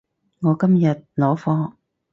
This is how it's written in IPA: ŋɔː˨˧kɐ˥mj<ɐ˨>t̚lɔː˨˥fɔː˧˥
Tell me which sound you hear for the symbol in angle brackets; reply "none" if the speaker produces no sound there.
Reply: ɐ˨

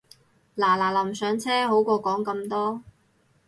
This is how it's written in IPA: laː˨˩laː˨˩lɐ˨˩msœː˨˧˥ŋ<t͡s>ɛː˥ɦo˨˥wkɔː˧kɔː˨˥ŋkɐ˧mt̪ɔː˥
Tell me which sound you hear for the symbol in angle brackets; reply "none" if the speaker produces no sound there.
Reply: t͡sʰ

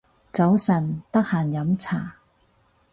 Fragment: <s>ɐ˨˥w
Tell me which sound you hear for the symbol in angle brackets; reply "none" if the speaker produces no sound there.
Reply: t͡s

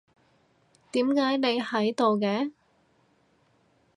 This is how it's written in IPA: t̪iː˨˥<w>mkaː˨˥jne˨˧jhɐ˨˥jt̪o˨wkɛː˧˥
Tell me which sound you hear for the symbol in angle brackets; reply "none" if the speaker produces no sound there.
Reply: none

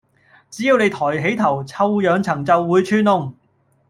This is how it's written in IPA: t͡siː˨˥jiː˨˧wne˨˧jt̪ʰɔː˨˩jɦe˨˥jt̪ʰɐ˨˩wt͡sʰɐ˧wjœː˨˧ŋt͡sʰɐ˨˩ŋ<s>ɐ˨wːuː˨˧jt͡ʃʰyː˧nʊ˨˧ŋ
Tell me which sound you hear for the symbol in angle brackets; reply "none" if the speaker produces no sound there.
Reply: t͡s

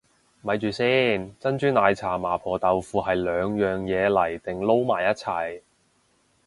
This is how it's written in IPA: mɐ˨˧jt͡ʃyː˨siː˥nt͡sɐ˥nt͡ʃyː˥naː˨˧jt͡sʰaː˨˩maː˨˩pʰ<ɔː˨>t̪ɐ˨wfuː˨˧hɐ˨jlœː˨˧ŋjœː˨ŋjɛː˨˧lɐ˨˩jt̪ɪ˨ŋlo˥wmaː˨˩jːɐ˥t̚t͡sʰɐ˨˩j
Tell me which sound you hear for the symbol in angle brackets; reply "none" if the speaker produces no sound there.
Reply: ɔː˨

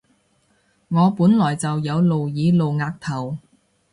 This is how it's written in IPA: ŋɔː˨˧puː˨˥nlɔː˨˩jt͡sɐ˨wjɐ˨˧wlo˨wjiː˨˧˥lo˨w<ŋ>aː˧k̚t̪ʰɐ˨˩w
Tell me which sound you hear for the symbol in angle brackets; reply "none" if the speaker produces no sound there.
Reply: ŋ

